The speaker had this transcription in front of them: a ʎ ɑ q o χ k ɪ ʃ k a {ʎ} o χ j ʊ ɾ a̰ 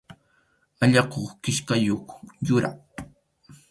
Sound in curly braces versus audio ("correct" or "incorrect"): incorrect